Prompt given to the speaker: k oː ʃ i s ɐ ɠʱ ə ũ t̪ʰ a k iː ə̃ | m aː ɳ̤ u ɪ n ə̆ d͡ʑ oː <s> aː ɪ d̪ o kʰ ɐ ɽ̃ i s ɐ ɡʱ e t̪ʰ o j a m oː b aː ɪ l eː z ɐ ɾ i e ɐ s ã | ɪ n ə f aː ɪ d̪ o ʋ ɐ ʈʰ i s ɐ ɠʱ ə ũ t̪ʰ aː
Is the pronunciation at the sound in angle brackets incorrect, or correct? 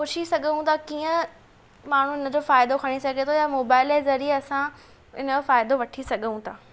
incorrect